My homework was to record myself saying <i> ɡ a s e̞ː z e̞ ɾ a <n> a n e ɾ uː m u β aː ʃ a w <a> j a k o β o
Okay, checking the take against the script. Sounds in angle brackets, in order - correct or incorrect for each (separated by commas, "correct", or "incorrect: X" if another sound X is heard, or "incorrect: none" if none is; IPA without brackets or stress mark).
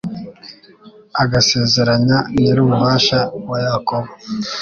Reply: incorrect: a, incorrect: ɲ, correct